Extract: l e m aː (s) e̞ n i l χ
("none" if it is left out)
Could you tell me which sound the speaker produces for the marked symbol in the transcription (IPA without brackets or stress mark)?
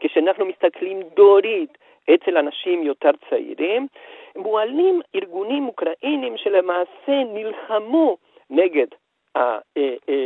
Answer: s